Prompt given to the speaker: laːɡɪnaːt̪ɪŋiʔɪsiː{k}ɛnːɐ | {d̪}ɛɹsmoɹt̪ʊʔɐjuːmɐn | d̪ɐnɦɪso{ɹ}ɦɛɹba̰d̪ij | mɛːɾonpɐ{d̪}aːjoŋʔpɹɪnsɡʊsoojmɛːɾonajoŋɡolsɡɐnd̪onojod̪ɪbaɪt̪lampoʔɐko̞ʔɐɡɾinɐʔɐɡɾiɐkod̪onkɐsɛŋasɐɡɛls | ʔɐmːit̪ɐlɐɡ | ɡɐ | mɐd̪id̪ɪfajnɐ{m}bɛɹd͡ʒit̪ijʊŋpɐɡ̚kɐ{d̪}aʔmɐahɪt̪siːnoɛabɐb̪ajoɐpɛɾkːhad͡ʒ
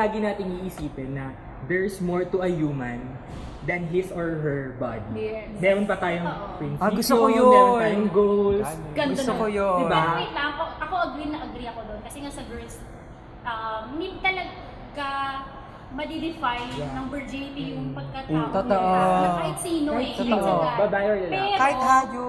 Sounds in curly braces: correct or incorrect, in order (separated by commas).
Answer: incorrect, correct, correct, incorrect, incorrect, incorrect